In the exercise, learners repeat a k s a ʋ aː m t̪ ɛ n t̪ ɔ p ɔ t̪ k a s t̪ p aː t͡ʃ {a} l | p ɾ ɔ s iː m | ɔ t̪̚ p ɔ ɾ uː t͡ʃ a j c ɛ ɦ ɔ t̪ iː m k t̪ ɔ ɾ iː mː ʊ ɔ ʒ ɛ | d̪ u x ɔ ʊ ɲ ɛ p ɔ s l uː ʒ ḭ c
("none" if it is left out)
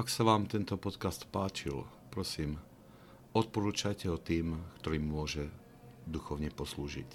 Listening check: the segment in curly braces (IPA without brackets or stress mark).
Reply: i